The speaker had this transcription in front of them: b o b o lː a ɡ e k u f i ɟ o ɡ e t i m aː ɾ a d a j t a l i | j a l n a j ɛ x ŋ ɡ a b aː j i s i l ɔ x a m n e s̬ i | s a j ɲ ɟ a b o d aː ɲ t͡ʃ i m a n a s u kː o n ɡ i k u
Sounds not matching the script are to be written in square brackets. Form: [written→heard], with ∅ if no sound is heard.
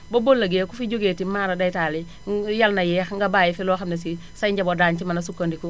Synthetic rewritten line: b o b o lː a ɡ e k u f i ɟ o ɡ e t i m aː ɾ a d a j t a l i | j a l n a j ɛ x ŋ ɡ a b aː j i [s→f] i l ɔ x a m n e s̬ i | s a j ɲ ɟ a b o d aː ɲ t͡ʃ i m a n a s u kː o n [ɡ→d] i k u